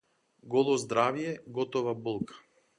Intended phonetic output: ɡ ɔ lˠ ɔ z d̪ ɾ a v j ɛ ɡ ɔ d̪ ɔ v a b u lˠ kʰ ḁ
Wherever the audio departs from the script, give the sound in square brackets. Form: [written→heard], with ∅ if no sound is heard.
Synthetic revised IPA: ɡ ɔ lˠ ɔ z d̪ ɾ a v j ɛ ɡ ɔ [d̪→t̪] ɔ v a b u lˠ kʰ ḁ